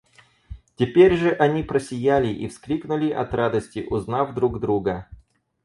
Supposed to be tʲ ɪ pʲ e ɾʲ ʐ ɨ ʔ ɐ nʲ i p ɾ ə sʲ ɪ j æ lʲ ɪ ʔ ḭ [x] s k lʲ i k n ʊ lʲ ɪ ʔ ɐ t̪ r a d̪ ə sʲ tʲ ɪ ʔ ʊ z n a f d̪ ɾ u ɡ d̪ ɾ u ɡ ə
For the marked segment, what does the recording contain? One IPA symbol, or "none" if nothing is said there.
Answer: f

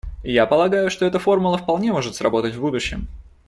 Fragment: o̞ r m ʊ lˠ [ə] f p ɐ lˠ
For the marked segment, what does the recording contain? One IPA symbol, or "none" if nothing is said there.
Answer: ə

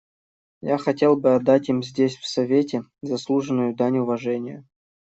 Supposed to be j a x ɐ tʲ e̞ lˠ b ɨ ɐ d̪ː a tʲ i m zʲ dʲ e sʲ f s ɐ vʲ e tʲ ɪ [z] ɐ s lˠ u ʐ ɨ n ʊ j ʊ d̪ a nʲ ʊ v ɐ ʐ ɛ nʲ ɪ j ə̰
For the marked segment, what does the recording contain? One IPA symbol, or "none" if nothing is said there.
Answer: z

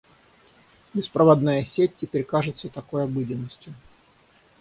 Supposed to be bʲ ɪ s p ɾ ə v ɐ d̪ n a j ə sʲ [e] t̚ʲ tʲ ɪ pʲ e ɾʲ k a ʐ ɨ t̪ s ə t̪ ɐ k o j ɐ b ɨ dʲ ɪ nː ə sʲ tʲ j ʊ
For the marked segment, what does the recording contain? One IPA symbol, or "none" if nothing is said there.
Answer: e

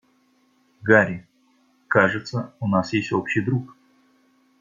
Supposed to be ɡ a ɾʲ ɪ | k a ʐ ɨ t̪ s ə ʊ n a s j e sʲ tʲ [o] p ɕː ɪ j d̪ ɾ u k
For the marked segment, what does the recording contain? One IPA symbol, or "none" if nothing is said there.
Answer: o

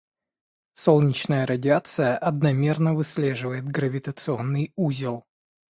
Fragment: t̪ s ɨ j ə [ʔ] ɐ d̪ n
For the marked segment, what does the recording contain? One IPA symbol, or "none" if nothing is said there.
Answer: ʔ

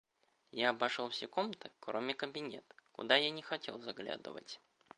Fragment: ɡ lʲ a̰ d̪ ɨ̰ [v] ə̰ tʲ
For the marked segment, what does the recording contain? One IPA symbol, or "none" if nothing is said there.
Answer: v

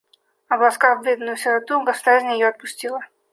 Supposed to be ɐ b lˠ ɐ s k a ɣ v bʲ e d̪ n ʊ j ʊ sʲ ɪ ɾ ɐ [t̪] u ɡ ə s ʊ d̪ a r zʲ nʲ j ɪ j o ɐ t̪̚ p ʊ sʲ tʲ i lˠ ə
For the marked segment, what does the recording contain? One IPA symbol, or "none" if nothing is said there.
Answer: t̪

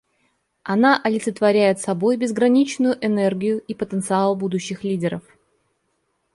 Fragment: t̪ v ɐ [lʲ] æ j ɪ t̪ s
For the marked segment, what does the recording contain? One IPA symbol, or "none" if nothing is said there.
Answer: ɾʲ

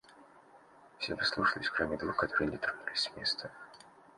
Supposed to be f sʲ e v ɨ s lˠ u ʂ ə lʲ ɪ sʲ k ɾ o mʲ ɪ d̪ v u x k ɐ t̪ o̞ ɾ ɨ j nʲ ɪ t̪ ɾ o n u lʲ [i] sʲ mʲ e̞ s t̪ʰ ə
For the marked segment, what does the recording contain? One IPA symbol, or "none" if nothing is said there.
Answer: ɪ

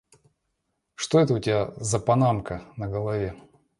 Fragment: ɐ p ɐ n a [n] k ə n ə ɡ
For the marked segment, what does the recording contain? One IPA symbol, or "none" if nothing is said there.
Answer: m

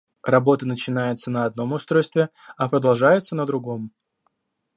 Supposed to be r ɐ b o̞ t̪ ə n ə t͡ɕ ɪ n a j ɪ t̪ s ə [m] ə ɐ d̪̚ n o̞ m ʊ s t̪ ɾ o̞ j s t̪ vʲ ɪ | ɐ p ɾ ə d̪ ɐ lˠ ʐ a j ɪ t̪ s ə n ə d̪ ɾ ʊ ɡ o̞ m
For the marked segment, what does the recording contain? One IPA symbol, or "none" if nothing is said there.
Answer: n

